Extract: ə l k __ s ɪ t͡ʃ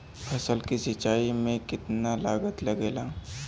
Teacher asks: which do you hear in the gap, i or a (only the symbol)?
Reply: i